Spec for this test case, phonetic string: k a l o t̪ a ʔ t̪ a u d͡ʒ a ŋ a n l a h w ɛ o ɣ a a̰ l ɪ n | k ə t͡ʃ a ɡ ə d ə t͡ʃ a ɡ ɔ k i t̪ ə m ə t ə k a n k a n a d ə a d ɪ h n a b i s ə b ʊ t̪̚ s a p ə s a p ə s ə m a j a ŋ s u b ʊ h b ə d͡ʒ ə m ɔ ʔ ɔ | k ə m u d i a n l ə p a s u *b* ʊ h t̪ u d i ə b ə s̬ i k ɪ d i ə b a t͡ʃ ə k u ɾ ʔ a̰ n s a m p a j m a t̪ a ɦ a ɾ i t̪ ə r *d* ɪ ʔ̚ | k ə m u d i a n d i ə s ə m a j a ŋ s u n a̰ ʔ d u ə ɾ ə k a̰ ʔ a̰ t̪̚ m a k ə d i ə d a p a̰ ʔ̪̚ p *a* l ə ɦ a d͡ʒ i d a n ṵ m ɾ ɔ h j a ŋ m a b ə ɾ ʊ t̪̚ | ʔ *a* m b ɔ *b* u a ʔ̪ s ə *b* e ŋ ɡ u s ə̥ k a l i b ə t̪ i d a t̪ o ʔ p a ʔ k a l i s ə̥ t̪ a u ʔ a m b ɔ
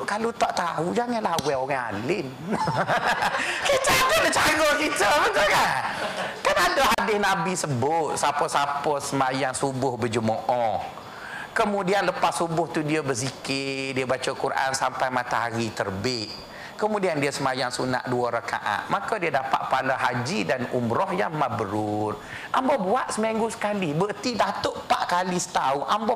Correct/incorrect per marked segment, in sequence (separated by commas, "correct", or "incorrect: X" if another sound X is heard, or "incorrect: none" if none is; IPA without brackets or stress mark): correct, incorrect: b, correct, correct, correct, incorrect: m